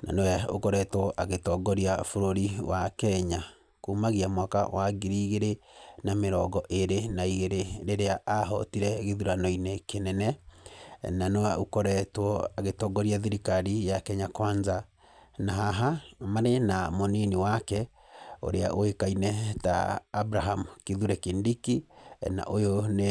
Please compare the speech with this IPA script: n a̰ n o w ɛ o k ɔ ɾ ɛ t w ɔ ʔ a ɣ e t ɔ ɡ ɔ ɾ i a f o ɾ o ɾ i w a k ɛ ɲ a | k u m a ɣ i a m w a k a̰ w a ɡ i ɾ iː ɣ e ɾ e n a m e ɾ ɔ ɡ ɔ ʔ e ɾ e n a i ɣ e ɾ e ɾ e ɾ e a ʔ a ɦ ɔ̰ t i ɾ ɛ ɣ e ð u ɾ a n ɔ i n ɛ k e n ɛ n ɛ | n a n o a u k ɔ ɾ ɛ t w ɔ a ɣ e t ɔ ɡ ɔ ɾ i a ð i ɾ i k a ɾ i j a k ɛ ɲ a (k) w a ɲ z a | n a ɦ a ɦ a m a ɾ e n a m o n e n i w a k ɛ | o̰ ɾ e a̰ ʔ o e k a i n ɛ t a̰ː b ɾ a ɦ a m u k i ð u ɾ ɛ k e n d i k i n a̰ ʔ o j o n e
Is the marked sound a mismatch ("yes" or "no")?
no